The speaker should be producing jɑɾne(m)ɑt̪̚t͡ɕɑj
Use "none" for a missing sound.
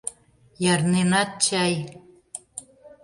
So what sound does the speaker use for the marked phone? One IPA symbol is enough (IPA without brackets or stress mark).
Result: n